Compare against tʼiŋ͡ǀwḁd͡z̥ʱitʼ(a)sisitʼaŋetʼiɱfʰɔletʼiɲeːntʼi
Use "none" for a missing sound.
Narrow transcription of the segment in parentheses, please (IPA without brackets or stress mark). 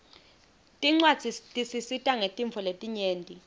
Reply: i